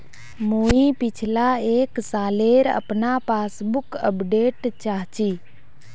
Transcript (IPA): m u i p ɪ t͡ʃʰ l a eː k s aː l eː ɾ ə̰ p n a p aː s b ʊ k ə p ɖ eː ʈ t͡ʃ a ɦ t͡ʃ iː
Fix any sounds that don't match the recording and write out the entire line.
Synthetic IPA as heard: m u i p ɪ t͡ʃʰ l a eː k s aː l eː ɾ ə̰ p n a p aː s b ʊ k ə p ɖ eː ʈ t͡ʃ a ɦ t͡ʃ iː